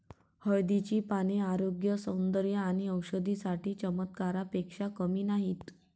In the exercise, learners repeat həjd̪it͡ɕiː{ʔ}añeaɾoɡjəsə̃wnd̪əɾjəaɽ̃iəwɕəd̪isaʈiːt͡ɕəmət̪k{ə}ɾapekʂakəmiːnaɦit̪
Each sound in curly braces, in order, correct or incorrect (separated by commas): incorrect, incorrect